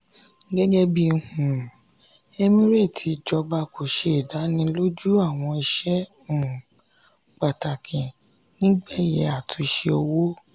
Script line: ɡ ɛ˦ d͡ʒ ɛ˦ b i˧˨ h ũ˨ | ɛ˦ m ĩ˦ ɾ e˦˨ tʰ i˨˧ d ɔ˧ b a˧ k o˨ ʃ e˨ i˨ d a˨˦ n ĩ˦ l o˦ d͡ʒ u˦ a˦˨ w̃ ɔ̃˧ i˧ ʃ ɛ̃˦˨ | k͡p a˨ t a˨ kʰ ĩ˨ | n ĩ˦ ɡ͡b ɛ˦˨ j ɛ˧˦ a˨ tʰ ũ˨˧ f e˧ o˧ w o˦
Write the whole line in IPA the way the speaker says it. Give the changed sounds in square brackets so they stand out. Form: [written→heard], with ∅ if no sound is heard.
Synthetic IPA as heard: ɡ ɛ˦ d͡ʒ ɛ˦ b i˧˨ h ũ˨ | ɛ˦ m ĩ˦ ɾ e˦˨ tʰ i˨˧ [d→d͡ʒ] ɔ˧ b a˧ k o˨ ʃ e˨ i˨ d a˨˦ n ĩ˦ l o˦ d͡ʒ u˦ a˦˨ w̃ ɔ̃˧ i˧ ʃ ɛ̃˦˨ | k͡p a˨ t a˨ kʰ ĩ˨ | n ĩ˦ ɡ͡b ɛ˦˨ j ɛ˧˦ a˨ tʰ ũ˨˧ [f→ʃ] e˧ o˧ w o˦